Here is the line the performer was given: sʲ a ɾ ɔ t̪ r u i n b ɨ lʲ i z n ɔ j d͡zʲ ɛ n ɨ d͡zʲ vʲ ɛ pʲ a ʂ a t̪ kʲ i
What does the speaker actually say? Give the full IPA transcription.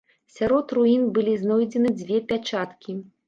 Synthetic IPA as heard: sʲ a ɾ ɔ t̪ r u i n b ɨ lʲ i z n ɔ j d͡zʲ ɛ n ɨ d͡zʲ vʲ ɛ pʲ a t͡ʂ a t̪ kʲ i